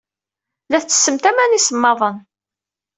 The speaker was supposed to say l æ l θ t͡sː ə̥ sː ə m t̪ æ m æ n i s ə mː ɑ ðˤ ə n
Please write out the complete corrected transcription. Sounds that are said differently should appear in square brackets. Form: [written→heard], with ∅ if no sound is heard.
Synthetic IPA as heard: l æ [l→∅] θ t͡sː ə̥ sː ə m t̪ æ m æ n i s ə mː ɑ ðˤ ə n